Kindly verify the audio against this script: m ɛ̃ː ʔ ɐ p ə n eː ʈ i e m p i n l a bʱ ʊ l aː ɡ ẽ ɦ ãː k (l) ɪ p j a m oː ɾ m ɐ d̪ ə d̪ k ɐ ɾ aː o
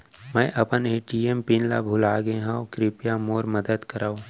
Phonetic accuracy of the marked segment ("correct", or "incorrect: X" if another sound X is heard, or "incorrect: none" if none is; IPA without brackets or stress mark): incorrect: ɾ